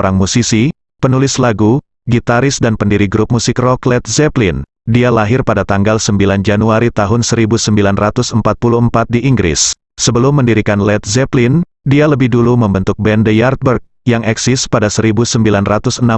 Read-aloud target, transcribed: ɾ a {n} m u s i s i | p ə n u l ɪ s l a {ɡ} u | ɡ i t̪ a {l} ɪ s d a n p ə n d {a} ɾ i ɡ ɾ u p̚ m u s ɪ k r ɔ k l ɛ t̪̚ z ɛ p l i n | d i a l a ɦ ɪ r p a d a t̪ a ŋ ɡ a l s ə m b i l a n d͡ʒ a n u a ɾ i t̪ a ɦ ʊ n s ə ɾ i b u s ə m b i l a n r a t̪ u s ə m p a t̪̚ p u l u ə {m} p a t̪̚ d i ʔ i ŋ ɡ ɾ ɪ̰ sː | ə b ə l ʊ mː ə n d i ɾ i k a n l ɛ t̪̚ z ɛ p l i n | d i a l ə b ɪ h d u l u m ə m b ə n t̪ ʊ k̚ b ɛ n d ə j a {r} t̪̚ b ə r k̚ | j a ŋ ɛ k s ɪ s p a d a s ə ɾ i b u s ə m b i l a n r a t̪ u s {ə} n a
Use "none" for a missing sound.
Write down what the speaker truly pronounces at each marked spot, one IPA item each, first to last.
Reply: ŋ, ɡ, ɾ, i, m, r, ə

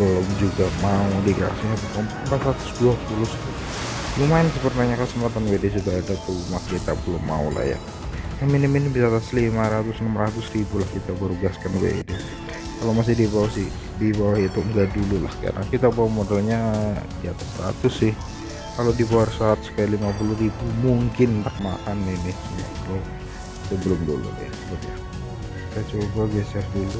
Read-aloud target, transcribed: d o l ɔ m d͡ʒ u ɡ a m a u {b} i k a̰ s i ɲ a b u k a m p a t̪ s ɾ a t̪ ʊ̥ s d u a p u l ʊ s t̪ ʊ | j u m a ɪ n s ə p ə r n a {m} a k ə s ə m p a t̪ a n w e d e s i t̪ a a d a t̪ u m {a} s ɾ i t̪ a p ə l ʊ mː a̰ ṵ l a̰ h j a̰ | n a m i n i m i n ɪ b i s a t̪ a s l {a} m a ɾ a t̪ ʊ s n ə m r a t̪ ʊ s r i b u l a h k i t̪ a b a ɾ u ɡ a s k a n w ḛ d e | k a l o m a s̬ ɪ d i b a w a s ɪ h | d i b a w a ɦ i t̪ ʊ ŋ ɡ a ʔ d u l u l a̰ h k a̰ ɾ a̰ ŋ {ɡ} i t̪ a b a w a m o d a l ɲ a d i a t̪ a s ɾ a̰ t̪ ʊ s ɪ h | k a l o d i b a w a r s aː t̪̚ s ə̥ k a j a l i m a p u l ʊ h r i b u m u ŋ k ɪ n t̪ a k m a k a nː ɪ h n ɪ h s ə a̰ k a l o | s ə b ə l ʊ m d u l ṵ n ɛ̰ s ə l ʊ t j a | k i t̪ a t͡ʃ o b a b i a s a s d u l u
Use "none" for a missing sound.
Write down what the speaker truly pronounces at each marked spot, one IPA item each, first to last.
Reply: d, ɲ, a, i, k

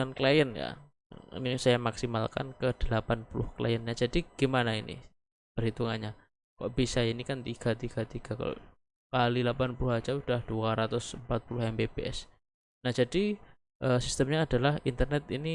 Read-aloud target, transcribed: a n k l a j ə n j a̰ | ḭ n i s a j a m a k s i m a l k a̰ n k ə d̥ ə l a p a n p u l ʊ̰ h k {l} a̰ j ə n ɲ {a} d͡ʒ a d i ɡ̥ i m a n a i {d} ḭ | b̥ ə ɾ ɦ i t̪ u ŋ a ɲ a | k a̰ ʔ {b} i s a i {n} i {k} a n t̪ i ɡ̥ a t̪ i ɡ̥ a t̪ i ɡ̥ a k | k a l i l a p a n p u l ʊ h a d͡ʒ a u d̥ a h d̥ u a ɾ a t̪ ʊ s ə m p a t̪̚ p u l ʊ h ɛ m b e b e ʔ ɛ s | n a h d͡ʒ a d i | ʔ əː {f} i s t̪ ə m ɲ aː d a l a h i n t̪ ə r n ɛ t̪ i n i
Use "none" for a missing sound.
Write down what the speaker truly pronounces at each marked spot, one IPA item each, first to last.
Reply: l, a, n, b, n, k, s

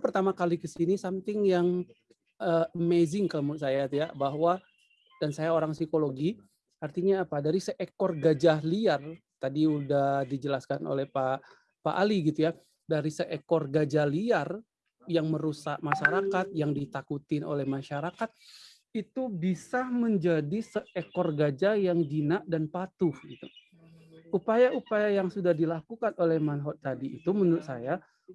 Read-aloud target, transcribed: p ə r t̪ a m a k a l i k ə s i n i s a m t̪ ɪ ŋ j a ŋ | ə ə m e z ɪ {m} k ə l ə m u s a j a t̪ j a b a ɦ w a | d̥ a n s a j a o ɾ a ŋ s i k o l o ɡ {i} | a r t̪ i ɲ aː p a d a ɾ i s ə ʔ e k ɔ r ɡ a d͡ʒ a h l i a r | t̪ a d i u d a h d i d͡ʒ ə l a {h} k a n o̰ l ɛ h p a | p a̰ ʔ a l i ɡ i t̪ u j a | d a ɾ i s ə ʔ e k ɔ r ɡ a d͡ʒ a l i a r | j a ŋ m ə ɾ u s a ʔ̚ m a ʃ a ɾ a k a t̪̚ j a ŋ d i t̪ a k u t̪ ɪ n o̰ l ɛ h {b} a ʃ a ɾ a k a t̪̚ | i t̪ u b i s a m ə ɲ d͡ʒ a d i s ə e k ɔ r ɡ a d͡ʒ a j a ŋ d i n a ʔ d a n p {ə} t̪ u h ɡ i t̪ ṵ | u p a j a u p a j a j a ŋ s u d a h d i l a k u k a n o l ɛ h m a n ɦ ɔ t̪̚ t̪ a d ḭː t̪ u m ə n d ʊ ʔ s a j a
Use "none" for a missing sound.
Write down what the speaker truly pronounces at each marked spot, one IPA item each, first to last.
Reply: ŋ, i, s, m, a

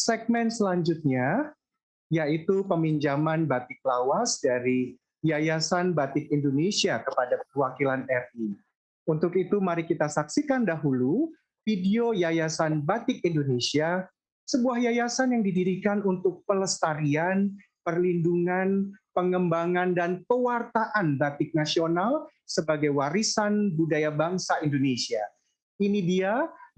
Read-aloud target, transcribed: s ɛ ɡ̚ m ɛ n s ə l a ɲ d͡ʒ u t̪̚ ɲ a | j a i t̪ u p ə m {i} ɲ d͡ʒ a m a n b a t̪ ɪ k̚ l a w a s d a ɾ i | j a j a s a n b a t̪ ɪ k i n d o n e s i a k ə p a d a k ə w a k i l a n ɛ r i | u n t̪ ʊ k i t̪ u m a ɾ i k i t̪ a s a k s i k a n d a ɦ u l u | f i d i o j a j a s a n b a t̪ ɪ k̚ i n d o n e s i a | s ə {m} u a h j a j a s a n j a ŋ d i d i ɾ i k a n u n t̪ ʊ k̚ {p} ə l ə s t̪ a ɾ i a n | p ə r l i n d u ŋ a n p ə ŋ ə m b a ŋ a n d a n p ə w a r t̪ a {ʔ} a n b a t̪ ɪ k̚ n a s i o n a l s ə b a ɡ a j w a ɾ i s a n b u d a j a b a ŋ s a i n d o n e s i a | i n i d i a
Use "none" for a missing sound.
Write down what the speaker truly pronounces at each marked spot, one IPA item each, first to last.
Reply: i, b, p, ʔ

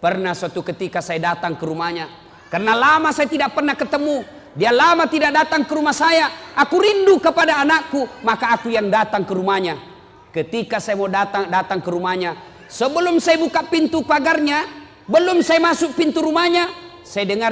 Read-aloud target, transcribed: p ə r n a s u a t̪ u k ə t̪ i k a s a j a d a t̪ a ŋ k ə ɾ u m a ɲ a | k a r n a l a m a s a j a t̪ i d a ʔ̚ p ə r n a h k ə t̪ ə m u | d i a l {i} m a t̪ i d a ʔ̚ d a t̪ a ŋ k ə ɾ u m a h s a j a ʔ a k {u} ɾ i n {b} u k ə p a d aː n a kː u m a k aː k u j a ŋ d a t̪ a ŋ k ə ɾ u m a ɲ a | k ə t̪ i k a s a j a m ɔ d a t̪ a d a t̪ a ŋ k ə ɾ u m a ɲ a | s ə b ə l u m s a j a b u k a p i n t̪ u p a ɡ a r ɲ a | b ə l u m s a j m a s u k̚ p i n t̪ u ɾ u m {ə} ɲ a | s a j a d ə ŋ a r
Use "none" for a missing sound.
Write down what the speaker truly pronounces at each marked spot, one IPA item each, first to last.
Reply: a, u, d, a

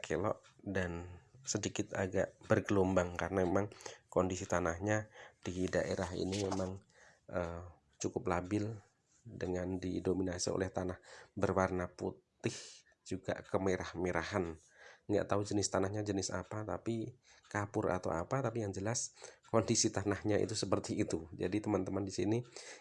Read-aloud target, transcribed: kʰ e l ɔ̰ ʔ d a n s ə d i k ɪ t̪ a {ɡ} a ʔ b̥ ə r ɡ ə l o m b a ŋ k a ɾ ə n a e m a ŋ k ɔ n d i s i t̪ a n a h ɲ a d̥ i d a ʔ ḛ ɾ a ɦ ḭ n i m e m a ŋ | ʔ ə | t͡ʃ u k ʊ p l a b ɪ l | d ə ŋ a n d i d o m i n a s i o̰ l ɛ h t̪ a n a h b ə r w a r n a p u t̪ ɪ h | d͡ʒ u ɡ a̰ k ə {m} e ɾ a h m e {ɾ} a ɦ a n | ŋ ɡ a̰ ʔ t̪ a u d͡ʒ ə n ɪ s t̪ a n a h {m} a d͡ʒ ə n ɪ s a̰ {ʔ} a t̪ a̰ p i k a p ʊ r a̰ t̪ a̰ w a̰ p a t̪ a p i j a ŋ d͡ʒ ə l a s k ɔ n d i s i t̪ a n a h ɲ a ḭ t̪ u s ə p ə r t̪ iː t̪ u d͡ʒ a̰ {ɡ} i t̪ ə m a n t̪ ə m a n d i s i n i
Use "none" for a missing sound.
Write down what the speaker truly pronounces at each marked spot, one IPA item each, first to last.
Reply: ɡ, m, ɾ, ɲ, p, d

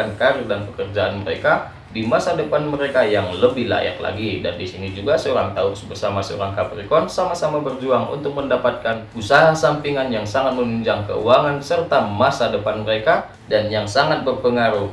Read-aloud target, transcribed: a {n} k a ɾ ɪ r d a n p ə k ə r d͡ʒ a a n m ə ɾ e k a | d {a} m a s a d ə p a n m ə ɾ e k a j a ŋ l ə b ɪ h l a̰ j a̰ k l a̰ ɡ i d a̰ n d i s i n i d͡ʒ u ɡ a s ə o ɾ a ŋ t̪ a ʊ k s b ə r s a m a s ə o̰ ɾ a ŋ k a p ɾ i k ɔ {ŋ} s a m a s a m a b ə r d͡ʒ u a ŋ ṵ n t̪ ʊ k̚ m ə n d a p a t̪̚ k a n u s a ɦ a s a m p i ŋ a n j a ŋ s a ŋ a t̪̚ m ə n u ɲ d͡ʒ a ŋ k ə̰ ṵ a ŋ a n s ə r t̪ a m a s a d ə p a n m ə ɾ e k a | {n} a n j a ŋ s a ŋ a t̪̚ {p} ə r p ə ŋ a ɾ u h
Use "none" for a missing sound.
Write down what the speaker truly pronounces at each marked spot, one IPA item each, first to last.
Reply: n, i, n, d, b

